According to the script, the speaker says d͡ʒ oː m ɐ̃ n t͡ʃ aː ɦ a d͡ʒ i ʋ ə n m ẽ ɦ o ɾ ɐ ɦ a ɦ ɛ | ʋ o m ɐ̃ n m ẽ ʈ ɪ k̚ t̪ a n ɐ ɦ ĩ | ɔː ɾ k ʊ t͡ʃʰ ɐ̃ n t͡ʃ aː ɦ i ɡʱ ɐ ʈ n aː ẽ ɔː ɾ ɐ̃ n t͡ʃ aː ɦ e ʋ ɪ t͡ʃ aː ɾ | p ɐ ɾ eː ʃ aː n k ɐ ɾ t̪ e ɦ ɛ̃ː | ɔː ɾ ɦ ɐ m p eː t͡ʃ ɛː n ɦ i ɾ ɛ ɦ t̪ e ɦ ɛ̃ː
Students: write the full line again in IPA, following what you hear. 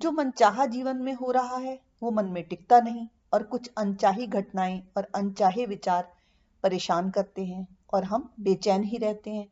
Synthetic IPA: d͡ʒ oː m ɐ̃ n t͡ʃ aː ɦ a d͡ʒ iː ʋ ə n m ẽ ɦ o ɾ ɐ ɦ a ɦ ɛ | ʋ o m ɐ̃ n m ẽ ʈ ɪ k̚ t̪ a n ɐ ɦ ĩ | ɔː ɾ k ʊ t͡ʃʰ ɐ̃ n t͡ʃ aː ɦ i ɡʱ ɐ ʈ n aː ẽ ɔː ɾ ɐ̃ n t͡ʃ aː ɦ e ʋ ɪ t͡ʃ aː ɾ | p ɐ ɾ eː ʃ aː n k ɐ ɾ t̪ e ɦ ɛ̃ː | ɔː ɾ ɦ ɐ m b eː t͡ʃ ɛː n ɦ i ɾ ɛ ɦ t̪ e ɦ ɛ̃ː